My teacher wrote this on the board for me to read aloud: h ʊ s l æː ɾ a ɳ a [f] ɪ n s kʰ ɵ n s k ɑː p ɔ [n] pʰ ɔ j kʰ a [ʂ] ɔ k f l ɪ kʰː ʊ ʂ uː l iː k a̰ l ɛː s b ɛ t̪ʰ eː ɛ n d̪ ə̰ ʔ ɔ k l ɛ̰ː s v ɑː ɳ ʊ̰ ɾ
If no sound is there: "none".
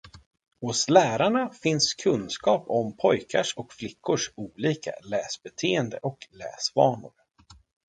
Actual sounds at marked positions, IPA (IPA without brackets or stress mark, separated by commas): f, m, ʂ